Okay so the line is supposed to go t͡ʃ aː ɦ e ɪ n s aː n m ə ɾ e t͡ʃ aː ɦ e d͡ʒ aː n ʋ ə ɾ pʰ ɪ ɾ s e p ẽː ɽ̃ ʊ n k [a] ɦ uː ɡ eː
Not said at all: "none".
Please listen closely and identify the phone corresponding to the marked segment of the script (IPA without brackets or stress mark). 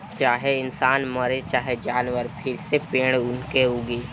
e